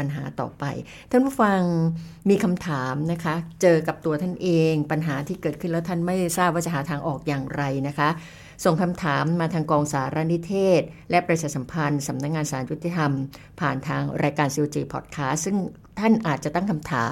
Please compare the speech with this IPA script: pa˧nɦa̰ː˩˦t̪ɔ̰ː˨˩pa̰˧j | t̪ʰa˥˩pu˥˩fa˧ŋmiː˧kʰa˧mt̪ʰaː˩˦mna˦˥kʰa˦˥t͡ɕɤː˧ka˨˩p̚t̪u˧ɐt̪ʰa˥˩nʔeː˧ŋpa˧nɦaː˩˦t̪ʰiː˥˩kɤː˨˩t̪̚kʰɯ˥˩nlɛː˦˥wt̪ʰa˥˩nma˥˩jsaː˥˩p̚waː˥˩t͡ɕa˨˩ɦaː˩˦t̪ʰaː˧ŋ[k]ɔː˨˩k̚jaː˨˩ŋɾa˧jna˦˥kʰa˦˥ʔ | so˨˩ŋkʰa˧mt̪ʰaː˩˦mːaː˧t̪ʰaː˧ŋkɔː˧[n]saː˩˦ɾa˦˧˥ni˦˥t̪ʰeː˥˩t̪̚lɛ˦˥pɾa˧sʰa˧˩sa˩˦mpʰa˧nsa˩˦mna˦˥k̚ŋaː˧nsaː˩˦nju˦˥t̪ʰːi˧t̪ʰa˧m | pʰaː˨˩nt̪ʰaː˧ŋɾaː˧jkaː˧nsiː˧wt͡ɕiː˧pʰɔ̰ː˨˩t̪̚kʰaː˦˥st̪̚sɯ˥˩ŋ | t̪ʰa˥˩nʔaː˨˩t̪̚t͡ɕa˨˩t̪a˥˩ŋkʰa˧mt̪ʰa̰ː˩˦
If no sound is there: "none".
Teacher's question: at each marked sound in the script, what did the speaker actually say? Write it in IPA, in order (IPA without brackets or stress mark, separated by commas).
ʔ, ŋ